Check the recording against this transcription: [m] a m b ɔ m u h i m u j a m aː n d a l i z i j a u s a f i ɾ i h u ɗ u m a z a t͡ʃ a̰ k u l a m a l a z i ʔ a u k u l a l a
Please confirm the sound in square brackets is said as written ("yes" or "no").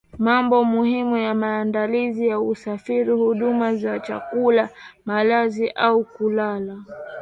yes